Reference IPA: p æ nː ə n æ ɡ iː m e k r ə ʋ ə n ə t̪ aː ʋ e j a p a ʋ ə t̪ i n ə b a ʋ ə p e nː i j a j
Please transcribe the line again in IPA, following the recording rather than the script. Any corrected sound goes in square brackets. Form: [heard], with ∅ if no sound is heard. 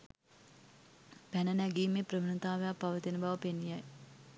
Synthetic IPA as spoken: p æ [n] ə n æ ɡ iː m e [p] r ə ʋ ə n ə t̪ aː ʋ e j a p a ʋ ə t̪ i n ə b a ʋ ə p e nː i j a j